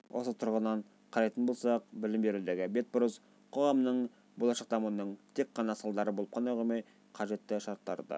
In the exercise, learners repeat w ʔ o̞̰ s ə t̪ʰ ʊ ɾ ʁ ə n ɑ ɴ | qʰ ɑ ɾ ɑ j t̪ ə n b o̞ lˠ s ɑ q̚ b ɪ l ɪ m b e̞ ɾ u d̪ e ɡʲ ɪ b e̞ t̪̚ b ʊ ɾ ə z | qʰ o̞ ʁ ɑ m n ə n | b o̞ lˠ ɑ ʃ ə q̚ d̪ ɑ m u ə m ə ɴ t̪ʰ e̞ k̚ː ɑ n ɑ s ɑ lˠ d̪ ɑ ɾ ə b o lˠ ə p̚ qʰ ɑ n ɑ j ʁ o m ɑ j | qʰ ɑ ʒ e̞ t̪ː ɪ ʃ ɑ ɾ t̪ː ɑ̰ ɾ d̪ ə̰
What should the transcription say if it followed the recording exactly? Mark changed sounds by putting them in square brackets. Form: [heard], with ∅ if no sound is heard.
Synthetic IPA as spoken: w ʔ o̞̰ s ə t̪ʰ ʊ ɾ ʁ ə n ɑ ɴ | qʰ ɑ ɾ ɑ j t̪ ə n b o̞ lˠ s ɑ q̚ b ɪ l ɪ m b e̞ ɾ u d̪ e ɡʲ ɪ b e̞ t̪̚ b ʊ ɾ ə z | qʰ o̞ ʁ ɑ m n ə [ɴ] | b o̞ lˠ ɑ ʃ [ɑ] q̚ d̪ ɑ m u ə [n] ə ɴ t̪ʰ e̞ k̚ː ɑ n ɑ s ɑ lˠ d̪ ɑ ɾ ə b o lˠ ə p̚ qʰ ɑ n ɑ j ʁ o m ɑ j | qʰ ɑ ʒ e̞ t̪ː ɪ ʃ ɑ ɾ t̪ː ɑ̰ ɾ d̪ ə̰